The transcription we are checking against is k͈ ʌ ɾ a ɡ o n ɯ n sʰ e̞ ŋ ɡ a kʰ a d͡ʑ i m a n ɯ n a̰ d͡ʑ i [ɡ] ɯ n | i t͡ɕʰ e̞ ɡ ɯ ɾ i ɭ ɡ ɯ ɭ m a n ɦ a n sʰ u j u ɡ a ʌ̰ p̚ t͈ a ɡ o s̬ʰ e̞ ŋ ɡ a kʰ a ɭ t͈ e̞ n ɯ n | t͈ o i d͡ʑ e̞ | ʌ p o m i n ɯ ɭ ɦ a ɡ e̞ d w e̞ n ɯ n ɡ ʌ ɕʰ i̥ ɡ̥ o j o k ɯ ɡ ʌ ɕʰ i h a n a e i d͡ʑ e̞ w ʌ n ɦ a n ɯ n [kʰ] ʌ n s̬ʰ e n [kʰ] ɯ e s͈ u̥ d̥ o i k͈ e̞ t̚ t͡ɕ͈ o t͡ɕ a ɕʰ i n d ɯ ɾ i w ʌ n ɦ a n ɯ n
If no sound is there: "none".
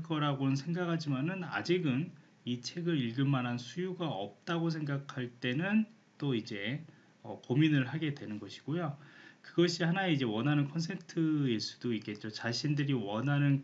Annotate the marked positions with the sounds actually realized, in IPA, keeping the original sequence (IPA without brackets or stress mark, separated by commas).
ɡ, kʰ, tʰ